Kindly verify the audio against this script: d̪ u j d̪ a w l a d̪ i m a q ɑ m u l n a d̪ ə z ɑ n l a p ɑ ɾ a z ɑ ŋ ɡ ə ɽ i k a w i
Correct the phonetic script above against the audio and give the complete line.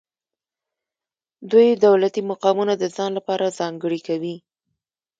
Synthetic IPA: d̪ u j d̪ a w l a t̪ i m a q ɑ m u n a d̪ ə z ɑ n l a p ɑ ɾ a z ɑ ŋ ɡ ə ɽ i k a w i